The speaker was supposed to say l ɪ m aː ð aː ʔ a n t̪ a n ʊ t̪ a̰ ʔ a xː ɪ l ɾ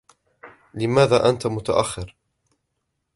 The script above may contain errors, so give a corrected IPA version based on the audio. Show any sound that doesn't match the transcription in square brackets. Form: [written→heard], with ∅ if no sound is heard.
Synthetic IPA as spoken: l ɪ m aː ð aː ʔ a n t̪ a [n→m] ʊ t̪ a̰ ʔ a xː ɪ [l→∅] ɾ

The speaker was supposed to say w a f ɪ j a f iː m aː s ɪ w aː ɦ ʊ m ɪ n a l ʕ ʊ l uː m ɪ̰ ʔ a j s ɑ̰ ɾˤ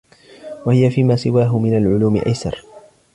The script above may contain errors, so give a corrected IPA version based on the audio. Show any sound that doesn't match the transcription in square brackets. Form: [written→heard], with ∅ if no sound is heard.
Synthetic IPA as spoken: w a [f→h] ɪ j a f iː m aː s ɪ w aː ɦ ʊ m ɪ n a l ʕ ʊ l uː m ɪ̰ ʔ a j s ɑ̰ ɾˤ

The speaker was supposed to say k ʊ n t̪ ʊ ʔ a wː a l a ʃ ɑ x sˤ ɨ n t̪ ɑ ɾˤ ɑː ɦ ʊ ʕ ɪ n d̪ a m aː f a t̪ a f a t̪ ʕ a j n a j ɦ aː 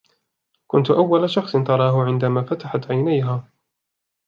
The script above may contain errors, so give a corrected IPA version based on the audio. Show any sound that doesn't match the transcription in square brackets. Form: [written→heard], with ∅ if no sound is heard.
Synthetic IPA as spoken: k ʊ n t̪ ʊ ʔ a wː a l a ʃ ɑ x sˤ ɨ n t̪ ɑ ɾˤ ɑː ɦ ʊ ʕ ɪ n d̪ a m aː f a t̪ a [f→ħ] a t̪ ʕ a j n a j ɦ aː

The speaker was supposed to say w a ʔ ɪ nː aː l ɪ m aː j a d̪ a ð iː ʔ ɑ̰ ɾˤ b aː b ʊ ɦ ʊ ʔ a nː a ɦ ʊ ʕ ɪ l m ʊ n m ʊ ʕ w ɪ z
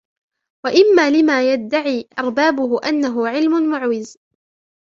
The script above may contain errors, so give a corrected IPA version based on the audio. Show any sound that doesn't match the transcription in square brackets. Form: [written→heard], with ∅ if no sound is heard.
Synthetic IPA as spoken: w a ʔ ɪ [nː→mː] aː l ɪ m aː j a [d̪→d̪ː] a [ð→ʕ] iː ʔ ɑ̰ ɾˤ b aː b ʊ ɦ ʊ ʔ a nː a ɦ ʊ ʕ ɪ l m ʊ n m ʊ ʕ w ɪ z

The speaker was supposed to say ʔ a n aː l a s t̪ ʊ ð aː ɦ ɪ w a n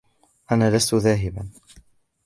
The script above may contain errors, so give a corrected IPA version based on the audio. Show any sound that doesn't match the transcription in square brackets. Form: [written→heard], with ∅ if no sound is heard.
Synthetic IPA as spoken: ʔ a n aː l a s t̪ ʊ ð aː ɦ ɪ [w→b] a n

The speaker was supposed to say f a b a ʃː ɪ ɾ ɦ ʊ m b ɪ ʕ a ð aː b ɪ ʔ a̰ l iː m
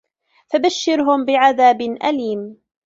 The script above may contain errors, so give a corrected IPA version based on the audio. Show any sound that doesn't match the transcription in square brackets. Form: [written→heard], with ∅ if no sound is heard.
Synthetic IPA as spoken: f a b a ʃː ɪ ɾ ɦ ʊ m b ɪ ʕ a ð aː b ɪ ʔ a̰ l iː m

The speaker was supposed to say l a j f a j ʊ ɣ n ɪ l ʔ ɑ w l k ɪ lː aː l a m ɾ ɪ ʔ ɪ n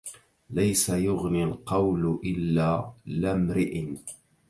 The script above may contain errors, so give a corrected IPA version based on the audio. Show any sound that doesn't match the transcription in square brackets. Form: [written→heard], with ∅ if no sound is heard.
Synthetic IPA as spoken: l a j [f→s] a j ʊ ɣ n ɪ l [ʔ→q] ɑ w l [k→ʔ] ɪ lː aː l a m ɾ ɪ ʔ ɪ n

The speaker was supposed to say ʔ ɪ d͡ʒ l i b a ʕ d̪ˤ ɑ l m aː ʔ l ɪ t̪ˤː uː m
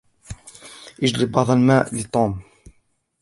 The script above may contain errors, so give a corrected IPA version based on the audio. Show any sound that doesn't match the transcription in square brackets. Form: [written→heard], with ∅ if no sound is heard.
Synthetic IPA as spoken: ʔ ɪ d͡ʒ l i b [a→ɑ] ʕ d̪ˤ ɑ l m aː ʔ l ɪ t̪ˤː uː m

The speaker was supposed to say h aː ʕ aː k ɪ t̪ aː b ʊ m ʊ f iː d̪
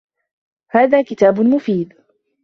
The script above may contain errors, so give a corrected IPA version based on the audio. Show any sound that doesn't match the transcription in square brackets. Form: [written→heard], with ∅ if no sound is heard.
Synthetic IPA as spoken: h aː [ʕ→ð] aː k ɪ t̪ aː b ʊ m ʊ f iː d̪

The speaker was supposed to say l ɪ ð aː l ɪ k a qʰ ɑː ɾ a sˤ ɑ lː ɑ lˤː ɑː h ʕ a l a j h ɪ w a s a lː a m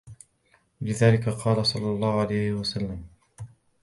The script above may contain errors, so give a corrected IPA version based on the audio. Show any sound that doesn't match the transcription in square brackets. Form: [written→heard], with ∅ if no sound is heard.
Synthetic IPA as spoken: l ɪ ð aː l ɪ k a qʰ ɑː [ɾ→l] a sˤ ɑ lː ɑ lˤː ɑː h ʕ a l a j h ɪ w a s a lː a m

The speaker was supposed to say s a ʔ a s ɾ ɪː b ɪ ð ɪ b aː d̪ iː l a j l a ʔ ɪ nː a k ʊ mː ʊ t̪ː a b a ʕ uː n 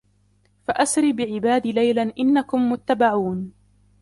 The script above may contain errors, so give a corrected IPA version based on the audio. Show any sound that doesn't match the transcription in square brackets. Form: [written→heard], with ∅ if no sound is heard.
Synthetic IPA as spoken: [s→f] a ʔ a s ɾ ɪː b ɪ [ð→ʕ] ɪ b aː d̪ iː l a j l a ʔ ɪ nː a k ʊ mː ʊ t̪ː a b a ʕ uː n

